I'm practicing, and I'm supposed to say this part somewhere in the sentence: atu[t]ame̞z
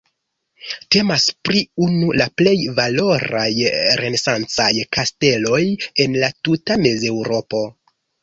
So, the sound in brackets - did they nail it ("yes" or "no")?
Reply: yes